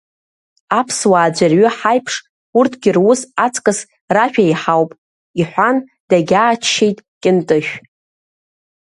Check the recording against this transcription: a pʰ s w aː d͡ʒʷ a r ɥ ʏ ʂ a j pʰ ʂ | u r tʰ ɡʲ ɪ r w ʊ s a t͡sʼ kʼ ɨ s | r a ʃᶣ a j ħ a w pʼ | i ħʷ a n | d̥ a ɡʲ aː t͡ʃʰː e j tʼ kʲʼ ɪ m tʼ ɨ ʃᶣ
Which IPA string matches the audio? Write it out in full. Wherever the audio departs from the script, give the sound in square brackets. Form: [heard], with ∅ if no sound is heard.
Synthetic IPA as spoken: a pʰ s w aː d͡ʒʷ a r ɥ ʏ [ħ] a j pʰ ʂ | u r tʰ ɡʲ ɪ r w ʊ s a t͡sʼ kʼ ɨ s | r a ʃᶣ a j ħ a w pʼ | i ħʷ a n | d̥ a ɡʲ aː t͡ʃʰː e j tʼ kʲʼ ɪ [n] tʼ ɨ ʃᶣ